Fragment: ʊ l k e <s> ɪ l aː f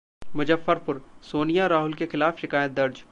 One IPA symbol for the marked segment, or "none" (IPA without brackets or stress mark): x